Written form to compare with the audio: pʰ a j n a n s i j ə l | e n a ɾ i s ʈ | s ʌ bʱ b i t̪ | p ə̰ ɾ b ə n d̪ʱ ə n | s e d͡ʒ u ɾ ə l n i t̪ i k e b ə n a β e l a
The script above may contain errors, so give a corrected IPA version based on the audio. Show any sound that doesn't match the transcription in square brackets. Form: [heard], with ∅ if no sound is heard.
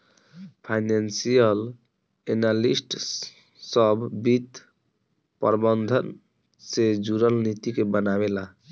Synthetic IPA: pʰ a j n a n s i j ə l | e n a [l] i s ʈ | s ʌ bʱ b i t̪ | p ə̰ ɾ b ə n d̪ʱ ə n | s e d͡ʒ u ɾ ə l n i t̪ i k e b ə n a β e l a